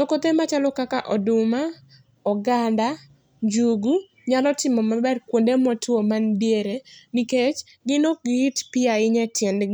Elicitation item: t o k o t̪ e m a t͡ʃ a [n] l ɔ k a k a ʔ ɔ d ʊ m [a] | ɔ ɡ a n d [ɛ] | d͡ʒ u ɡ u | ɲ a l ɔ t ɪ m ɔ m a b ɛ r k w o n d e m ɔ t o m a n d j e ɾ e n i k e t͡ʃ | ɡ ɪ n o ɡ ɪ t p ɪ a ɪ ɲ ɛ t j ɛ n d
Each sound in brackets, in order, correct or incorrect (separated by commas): incorrect, correct, incorrect